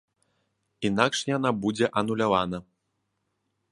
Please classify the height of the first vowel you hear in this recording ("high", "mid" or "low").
high